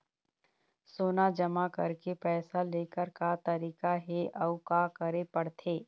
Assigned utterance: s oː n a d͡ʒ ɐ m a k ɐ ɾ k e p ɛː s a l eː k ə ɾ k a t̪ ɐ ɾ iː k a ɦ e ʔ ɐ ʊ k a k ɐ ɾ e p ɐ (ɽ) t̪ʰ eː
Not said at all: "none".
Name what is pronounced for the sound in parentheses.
ɽ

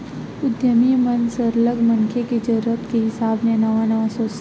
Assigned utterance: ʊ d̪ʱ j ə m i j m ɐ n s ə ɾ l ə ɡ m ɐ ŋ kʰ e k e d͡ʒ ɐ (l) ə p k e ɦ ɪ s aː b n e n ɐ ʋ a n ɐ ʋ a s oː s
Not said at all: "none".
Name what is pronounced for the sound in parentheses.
ɾ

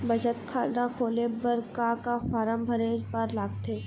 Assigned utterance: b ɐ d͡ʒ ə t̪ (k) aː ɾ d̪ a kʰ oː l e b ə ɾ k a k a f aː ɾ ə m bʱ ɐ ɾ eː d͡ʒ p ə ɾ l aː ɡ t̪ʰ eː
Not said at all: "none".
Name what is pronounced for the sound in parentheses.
kʰ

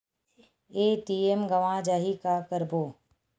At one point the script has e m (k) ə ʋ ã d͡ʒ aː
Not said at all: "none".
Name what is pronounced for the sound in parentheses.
ɡ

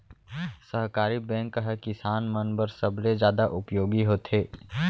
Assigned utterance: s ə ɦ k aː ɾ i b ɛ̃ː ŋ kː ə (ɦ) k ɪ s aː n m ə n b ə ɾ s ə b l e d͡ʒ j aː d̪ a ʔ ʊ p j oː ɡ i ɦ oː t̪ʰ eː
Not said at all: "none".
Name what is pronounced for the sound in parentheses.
ɦ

